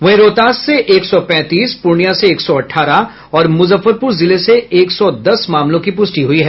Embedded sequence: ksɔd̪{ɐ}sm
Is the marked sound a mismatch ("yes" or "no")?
no